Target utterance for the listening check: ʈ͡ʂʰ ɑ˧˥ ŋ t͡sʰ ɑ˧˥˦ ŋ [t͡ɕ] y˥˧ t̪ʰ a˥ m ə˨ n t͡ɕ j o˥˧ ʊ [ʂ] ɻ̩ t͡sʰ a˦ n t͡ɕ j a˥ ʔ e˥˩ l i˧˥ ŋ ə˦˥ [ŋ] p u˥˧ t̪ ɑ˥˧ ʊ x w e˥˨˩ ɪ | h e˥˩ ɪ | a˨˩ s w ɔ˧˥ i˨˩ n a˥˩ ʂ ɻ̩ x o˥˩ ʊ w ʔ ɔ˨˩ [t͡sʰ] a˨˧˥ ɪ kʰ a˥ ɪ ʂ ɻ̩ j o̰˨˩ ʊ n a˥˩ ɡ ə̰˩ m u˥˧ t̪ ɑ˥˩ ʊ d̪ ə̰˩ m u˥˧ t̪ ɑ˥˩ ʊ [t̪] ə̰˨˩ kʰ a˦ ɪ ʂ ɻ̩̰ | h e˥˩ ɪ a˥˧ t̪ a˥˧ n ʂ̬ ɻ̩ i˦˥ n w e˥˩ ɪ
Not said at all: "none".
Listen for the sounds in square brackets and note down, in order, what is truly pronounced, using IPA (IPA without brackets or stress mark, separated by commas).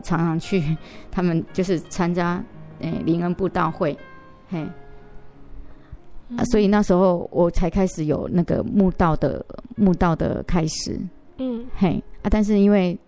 t͡ɕʰ, ʂ, n, t͡sʰ, d̪